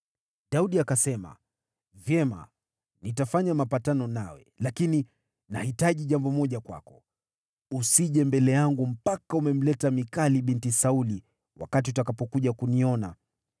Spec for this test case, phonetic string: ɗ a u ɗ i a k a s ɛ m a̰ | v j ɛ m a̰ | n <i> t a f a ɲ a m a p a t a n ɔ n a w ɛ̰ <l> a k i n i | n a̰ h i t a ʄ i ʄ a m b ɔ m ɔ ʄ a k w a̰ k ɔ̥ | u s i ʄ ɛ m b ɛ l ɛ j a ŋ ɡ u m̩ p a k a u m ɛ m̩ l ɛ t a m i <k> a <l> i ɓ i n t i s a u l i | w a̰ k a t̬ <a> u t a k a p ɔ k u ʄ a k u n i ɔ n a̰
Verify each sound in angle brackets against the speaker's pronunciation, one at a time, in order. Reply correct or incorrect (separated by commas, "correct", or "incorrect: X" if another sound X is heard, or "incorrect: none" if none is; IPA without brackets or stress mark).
correct, correct, correct, correct, incorrect: i